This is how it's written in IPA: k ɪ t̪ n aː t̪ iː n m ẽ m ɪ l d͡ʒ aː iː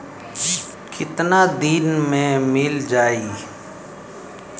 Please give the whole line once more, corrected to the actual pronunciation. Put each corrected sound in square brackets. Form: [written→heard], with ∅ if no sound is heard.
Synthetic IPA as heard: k ɪ t̪ n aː [t̪→d̪] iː n m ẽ m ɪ l d͡ʒ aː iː